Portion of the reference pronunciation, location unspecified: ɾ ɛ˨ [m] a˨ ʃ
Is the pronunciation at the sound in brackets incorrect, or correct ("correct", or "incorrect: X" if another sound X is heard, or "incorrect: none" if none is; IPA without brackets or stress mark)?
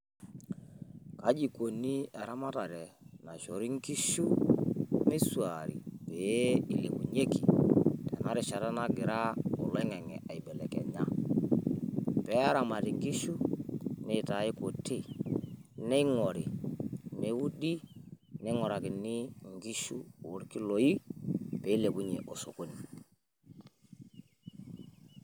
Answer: incorrect: n